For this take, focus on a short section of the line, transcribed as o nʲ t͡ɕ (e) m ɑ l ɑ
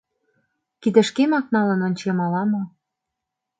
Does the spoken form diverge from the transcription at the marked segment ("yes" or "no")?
no